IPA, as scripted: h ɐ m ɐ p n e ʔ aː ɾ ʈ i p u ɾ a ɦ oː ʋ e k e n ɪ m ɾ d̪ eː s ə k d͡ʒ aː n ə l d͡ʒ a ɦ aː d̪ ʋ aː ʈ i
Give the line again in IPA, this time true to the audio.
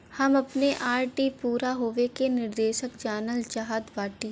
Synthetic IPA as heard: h ɐ m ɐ p n e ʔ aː ɾ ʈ i p uː ɾ a ɦ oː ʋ e k e n ɪ ɾ d̪ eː ʃ ə k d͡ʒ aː n ə l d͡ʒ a ɦ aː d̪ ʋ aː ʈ i